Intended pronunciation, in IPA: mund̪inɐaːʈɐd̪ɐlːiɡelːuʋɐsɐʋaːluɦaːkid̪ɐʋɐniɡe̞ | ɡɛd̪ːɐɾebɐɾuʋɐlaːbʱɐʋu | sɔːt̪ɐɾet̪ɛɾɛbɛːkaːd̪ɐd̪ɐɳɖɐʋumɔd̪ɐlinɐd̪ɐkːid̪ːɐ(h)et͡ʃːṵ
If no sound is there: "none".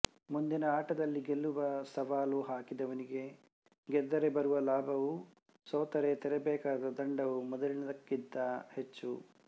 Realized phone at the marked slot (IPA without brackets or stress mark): h